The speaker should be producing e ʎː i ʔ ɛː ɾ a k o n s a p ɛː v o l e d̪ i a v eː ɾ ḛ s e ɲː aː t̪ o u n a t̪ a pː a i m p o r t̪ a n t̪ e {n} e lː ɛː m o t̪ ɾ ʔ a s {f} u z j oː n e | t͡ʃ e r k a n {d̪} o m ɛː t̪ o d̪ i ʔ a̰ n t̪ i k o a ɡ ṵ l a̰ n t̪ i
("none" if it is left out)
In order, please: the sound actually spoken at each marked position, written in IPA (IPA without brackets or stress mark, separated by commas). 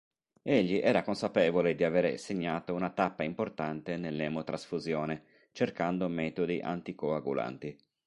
n, f, d̪